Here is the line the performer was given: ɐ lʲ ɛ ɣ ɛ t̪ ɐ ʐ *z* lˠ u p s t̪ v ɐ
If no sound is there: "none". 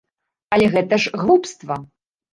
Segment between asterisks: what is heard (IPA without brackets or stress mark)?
ɣ